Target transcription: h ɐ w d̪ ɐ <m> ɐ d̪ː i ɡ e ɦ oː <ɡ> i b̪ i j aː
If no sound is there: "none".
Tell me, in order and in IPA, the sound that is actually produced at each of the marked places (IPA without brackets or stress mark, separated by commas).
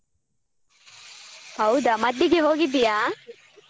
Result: m, ɡ